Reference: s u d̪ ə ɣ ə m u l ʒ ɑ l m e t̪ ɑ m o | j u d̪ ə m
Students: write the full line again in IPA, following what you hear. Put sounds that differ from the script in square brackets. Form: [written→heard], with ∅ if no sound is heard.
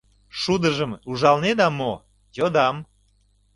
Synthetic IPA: [s→ʃ] u d̪ ə [ɣ→ʒ] ə m u [l→∅] ʒ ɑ l [m→n] e [t̪→d̪] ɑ m o | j [u→o] d̪ [ə→ɑ] m